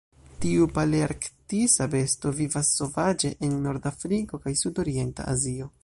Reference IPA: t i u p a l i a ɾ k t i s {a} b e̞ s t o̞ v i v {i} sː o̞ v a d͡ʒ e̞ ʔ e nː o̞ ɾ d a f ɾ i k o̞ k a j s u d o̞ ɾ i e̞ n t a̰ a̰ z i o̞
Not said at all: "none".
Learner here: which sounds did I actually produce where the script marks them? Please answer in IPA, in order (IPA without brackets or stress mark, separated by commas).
a, a